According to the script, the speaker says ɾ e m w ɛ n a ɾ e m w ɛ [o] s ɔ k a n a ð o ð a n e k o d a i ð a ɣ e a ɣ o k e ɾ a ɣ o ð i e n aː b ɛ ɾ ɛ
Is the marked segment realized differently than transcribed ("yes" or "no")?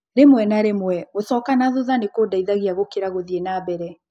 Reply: no